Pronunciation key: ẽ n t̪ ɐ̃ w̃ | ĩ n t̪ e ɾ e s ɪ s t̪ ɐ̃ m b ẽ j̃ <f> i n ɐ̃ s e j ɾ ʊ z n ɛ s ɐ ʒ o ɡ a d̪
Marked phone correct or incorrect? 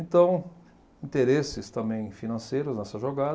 correct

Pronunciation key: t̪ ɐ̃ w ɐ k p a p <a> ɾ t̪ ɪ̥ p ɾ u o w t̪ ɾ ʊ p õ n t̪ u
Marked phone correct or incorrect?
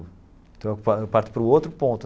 correct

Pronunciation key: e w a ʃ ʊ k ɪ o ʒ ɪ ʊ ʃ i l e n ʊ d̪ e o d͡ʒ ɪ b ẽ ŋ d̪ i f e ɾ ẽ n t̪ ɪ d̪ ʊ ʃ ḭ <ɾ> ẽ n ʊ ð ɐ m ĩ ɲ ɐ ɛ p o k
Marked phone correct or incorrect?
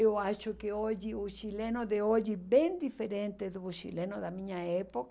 incorrect: l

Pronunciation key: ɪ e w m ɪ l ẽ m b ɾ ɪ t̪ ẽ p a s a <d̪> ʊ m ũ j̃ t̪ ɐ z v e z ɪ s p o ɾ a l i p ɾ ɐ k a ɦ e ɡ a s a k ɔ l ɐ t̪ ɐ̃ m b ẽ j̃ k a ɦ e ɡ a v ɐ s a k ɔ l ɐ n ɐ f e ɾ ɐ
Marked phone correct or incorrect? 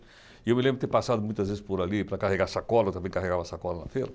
correct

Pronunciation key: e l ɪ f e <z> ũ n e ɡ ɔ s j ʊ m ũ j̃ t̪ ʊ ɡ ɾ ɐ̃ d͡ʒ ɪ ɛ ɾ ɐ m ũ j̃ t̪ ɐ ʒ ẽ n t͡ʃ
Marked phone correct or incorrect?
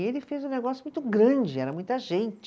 correct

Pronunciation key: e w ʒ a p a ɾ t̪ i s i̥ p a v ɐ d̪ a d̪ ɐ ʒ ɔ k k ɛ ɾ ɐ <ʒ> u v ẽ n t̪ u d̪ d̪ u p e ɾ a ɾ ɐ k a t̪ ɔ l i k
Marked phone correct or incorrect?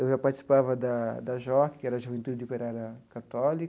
correct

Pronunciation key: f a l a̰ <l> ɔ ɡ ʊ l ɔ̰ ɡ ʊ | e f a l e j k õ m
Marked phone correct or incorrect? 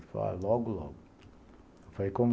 correct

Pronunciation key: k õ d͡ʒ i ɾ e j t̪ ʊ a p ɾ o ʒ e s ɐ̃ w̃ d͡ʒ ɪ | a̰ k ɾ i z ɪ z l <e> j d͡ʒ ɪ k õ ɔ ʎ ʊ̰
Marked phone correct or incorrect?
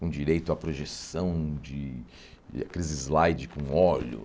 incorrect: a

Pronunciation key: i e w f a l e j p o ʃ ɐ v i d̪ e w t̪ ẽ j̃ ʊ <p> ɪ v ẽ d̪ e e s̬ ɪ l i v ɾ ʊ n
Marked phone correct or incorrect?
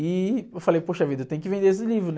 incorrect: k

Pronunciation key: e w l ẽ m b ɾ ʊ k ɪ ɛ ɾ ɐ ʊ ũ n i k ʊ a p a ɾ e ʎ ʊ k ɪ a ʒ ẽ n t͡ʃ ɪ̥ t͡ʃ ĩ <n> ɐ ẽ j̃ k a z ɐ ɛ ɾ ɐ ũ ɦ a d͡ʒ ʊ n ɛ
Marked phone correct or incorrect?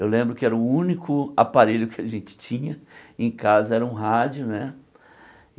incorrect: ɲ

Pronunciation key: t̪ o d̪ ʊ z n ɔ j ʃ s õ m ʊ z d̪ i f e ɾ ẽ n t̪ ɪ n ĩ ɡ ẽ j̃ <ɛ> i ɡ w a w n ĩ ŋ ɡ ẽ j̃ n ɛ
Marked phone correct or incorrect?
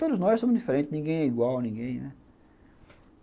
correct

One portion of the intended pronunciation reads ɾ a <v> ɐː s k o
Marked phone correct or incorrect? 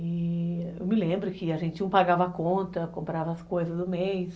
correct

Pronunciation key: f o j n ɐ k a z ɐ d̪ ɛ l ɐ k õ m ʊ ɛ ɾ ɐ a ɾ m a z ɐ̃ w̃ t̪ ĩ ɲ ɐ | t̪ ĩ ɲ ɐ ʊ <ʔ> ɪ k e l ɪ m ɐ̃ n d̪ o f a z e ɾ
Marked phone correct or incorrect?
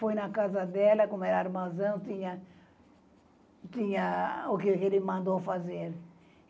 incorrect: k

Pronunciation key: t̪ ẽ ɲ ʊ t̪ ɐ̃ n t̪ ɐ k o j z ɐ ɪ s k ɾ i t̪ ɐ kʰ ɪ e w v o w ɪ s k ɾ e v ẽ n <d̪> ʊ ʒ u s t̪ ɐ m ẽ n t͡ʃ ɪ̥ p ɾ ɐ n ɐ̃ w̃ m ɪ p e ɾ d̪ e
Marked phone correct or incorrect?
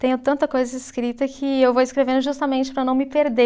correct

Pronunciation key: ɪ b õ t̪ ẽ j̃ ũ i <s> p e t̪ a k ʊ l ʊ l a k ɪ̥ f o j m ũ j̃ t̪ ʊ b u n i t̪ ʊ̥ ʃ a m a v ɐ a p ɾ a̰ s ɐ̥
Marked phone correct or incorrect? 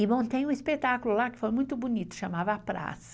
correct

